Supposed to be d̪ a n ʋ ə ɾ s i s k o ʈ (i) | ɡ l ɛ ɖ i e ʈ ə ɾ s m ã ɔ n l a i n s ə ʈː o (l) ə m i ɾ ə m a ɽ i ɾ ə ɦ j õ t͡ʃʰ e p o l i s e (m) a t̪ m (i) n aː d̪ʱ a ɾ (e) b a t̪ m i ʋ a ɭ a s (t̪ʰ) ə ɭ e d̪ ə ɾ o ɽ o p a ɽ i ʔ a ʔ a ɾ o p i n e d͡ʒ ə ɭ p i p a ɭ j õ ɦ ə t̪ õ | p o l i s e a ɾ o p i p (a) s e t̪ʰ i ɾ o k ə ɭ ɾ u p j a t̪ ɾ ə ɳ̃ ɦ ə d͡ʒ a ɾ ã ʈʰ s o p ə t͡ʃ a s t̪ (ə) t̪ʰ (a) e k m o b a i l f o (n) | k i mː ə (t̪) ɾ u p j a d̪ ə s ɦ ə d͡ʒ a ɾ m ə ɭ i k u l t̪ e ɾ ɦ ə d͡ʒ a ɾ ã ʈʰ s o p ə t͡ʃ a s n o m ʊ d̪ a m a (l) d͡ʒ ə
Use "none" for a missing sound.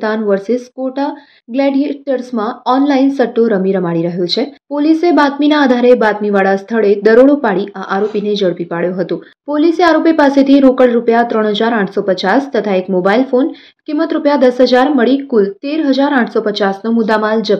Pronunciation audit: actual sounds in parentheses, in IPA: a, ɾ, b, i, e, t̪ʰ, a, ə, a, n, t̪, l

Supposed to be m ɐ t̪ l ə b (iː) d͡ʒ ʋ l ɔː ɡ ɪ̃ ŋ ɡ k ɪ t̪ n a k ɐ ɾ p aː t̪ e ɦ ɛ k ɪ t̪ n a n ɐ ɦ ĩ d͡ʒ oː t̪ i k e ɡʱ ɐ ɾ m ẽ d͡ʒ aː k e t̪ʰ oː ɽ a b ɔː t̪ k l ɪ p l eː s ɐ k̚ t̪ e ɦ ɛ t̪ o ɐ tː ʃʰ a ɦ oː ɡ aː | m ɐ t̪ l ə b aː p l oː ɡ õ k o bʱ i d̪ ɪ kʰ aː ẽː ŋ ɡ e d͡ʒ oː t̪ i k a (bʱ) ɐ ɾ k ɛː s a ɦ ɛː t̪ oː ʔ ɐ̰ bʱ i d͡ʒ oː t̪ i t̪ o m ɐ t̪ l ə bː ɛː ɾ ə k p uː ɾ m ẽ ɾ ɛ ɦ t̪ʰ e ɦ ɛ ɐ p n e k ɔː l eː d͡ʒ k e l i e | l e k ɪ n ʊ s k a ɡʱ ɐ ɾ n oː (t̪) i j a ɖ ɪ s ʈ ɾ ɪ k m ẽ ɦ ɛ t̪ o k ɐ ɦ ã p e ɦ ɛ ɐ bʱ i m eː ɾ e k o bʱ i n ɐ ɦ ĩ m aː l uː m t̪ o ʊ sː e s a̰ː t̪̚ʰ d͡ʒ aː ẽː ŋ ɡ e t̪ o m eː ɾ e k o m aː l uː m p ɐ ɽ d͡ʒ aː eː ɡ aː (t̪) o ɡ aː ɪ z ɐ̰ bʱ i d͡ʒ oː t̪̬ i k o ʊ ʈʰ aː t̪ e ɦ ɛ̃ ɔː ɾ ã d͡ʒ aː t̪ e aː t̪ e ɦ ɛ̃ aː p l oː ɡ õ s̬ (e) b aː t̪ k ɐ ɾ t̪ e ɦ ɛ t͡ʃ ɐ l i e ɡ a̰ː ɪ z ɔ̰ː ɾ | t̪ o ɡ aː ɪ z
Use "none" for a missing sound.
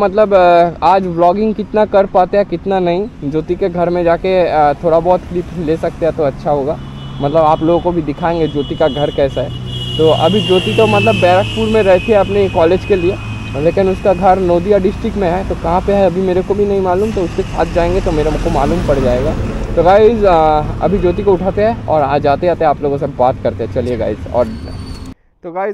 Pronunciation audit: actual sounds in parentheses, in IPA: aː, ɡʱ, d̪, t̪, e

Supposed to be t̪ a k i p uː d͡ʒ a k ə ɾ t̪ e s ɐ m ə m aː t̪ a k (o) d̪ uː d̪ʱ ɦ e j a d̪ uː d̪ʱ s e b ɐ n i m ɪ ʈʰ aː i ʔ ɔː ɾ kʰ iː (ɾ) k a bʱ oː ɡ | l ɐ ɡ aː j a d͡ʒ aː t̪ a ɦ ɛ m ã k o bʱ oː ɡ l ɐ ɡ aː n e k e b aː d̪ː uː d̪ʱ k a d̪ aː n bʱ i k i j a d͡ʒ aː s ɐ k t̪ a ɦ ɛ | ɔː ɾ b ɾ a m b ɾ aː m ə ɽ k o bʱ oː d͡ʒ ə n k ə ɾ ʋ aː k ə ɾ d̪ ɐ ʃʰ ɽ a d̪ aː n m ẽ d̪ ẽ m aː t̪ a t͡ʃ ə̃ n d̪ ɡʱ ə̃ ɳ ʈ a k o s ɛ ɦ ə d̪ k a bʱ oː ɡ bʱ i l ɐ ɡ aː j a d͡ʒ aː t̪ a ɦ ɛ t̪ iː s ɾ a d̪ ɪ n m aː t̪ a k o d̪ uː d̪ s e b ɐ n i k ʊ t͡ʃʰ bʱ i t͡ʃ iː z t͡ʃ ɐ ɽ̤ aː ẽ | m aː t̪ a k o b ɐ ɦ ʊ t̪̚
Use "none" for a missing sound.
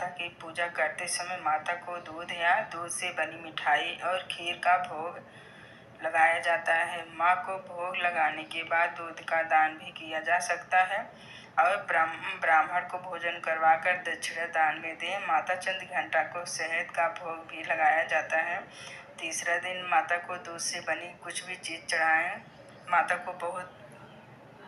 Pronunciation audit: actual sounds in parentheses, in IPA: o, ɾ

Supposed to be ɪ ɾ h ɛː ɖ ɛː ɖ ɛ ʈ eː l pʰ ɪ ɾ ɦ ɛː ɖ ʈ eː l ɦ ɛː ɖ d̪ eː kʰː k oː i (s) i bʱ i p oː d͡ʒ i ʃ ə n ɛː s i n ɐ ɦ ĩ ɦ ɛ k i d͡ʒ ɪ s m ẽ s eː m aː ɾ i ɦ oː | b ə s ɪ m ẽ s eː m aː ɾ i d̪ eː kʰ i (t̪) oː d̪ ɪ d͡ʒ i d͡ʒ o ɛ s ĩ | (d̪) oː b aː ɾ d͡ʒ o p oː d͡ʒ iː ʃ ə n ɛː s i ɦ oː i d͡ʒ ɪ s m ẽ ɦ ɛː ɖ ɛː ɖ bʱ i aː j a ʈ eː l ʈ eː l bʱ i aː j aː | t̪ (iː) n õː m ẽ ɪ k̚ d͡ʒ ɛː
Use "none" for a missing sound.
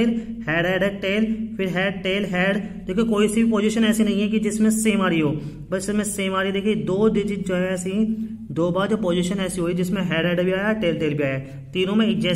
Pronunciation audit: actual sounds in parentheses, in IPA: s, d̪, d̪, iː

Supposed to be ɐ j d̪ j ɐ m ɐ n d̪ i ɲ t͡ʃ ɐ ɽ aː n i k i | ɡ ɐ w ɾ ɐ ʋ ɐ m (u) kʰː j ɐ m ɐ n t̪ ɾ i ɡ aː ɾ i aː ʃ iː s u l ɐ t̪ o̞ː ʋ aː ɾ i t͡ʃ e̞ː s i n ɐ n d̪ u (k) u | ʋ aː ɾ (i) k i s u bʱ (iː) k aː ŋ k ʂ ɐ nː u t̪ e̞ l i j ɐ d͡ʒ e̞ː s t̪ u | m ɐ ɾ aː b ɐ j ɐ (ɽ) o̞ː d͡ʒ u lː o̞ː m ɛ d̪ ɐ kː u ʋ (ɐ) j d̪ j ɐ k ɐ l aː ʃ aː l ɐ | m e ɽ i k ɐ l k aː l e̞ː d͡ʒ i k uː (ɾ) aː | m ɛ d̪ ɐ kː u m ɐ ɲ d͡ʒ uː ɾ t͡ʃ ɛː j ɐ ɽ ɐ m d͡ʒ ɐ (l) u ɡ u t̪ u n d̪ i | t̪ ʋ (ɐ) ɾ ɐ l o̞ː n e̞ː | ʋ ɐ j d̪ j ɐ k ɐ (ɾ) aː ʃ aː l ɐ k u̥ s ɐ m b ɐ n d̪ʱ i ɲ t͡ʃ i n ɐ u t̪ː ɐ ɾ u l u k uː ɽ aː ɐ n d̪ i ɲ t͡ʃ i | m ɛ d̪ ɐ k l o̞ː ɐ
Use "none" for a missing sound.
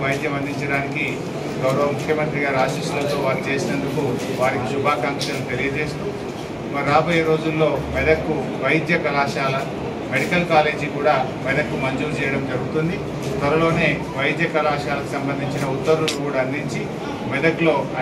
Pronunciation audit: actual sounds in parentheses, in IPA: u, k, i, aː, ɾ, ɐ, ɽ, ɾ, ɐ, l

